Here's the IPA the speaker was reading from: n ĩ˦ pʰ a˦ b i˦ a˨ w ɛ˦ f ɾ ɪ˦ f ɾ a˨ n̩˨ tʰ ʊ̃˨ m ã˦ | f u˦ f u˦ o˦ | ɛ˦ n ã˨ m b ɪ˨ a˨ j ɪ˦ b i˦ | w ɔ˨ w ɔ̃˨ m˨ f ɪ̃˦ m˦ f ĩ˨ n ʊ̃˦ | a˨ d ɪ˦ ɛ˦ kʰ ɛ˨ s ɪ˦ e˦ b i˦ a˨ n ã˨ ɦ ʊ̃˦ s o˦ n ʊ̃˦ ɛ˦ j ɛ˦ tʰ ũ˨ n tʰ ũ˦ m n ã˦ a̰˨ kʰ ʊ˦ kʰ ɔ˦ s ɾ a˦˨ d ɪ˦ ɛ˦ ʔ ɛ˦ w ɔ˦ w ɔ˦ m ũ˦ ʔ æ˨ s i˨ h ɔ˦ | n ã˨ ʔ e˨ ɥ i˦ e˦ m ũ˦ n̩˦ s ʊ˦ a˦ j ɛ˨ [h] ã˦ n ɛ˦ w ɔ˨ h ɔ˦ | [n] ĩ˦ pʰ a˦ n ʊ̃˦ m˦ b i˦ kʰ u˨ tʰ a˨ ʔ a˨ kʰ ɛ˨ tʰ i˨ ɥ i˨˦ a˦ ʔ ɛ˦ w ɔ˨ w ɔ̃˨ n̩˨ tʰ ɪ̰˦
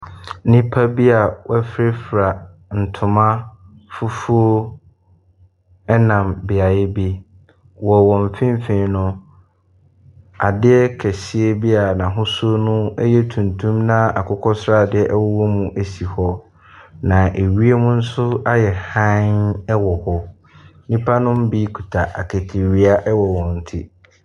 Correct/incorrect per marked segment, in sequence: correct, correct

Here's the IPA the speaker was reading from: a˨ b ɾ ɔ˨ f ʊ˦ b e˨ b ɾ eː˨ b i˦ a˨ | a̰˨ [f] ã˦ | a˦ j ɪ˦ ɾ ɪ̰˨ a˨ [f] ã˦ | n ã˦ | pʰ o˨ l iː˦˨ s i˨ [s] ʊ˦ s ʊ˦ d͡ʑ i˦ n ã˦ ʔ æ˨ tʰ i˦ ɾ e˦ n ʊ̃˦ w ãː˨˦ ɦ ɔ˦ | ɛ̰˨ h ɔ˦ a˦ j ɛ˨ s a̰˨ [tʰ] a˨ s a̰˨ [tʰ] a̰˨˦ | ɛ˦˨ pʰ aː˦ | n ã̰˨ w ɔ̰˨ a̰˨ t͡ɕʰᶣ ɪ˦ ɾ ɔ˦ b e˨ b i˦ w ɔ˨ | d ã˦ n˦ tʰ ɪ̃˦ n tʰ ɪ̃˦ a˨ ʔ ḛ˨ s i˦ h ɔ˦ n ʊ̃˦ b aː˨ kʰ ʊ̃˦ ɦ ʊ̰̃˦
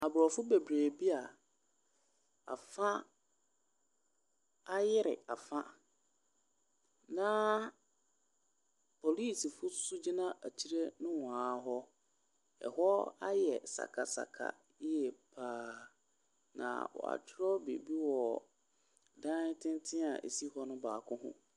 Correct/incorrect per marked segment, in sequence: correct, correct, incorrect, incorrect, incorrect

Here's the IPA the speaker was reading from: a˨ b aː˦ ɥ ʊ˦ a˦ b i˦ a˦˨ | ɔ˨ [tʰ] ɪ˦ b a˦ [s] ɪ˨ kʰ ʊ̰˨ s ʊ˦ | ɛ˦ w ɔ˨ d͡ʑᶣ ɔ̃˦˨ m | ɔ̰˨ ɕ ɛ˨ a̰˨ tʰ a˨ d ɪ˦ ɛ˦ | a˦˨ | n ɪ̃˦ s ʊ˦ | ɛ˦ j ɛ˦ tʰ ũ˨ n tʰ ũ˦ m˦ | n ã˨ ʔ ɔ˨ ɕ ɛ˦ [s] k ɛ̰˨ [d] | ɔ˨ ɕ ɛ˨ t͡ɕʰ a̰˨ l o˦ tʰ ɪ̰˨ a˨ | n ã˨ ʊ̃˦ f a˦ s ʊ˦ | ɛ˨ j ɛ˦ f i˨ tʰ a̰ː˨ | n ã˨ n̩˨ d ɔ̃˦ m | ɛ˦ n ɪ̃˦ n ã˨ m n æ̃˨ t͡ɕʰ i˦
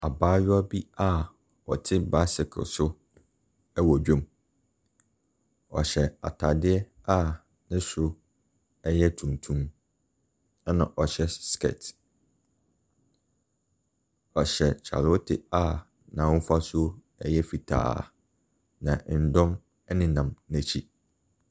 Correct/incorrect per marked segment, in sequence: correct, correct, correct, incorrect

